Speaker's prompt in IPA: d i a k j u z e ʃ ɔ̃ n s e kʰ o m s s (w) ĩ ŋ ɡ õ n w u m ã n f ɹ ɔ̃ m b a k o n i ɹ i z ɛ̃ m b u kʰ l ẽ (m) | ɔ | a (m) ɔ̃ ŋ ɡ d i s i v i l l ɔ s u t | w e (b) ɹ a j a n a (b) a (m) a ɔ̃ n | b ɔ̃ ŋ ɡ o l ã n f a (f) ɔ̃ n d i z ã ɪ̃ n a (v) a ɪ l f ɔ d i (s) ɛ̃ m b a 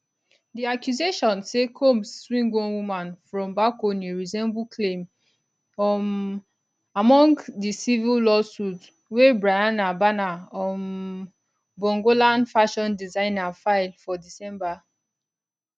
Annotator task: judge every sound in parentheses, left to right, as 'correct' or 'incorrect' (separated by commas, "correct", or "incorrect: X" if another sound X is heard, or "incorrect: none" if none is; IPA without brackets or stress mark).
correct, correct, correct, correct, correct, incorrect: n, incorrect: ʃ, incorrect: f, correct